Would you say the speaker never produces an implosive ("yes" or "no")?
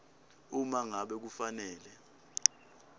no